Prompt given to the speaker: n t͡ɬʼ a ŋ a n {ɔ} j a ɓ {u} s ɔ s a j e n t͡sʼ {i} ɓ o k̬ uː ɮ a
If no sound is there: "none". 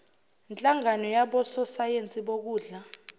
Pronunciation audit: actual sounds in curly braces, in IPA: ɔ, ɔ, i

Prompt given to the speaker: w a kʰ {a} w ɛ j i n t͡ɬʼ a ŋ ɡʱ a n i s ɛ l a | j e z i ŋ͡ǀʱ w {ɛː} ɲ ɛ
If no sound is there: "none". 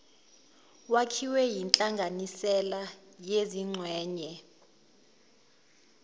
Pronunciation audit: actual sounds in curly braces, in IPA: i, ɛː

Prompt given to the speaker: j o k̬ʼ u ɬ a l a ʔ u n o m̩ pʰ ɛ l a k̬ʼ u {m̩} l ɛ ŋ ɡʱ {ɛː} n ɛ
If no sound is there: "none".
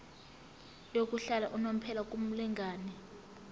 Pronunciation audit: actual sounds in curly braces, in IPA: m̩, aː

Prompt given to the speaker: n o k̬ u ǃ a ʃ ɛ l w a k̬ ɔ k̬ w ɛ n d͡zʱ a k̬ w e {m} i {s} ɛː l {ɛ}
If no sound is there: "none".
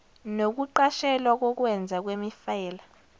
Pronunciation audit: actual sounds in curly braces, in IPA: m, f, a

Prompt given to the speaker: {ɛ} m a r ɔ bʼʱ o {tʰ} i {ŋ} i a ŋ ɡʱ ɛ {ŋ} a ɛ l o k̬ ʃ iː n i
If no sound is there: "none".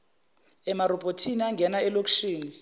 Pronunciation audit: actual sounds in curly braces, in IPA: ɛ, tʰ, n, n

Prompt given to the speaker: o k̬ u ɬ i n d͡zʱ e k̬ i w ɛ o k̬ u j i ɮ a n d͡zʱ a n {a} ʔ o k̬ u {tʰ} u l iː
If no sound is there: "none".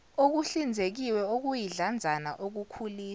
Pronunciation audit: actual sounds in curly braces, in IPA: a, kʰ

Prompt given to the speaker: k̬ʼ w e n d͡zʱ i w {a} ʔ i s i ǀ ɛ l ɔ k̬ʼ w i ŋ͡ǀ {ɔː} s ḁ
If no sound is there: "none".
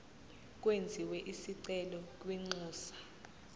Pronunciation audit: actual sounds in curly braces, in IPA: ɛ, uː

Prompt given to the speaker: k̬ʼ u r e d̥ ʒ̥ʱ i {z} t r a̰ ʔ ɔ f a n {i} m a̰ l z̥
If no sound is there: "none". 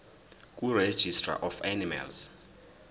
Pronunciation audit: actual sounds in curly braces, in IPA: s, i

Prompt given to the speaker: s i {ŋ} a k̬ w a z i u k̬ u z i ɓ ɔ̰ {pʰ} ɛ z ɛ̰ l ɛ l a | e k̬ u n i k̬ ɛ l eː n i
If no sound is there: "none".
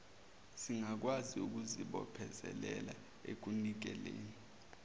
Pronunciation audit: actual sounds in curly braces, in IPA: ŋ, pʰ

